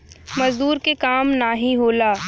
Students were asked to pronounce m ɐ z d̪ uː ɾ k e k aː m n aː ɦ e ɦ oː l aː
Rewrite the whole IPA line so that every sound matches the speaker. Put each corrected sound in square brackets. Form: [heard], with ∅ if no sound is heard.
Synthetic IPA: m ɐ z d̪ uː ɾ k e k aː m n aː ɦ [i] ɦ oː l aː

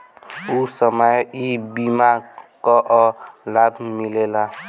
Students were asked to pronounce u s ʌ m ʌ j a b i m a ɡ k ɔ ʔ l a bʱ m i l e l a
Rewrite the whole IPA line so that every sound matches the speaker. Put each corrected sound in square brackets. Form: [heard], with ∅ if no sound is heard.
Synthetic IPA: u s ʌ m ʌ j [i] b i m a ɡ k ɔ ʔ l a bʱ m i l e l a

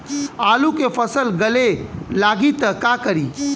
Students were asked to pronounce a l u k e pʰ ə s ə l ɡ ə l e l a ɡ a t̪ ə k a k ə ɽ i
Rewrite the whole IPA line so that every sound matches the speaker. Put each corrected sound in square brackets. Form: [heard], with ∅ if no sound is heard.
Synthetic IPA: a l u k e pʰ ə s ə l ɡ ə l e l a ɡ [i] t̪ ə k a k ə [ɾ] i

